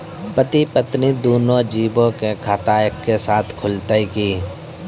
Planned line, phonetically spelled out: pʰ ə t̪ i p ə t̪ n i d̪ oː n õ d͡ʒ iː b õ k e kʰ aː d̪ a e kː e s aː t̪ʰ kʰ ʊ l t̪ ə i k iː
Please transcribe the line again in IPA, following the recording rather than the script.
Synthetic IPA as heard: p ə t̪ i p ə t̪ n i d̪ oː n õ d͡ʒ iː b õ k e kʰ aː t̪ a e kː e s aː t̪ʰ kʰ ʊ l t̪ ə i k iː